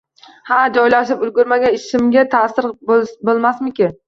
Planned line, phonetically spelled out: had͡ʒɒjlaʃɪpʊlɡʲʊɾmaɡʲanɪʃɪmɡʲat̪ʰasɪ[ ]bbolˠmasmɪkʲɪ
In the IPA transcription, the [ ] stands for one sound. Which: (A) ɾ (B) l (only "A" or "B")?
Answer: A